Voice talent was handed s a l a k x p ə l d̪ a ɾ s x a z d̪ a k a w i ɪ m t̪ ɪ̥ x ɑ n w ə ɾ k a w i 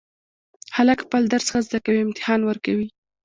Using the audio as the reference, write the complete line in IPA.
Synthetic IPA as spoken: h a l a k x p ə l d̪ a ɾ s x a z d̪ a k a w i ɪ m t̪ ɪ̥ h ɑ n w ə ɾ k a w i